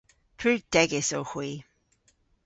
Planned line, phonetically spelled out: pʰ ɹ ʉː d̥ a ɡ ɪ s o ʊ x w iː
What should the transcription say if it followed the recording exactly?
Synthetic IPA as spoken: pʰ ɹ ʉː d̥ ɛ ɡ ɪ s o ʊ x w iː